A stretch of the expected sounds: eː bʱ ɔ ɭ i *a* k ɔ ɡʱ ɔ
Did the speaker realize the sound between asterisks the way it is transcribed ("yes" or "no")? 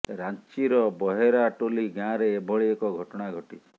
no